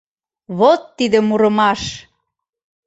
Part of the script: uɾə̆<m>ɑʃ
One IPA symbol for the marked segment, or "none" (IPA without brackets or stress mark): m